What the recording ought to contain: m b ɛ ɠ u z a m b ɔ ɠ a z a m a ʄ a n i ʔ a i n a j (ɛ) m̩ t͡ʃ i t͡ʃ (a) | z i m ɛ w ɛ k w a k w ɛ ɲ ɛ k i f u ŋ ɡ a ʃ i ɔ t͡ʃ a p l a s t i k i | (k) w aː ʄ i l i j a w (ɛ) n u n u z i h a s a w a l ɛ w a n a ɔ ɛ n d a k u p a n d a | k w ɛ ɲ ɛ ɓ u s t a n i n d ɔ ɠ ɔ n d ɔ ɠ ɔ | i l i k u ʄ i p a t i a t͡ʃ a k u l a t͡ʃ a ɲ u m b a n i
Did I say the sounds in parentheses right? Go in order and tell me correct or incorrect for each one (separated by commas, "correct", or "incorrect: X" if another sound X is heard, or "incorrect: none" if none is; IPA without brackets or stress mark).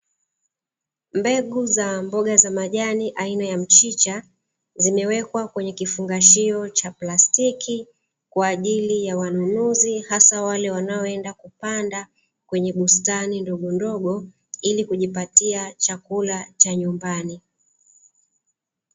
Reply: incorrect: a, correct, correct, incorrect: a